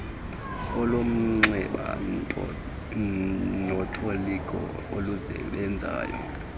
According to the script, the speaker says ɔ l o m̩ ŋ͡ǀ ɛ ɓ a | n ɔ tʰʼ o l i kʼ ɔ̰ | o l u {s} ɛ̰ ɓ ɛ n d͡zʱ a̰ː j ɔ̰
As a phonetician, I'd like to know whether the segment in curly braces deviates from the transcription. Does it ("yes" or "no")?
yes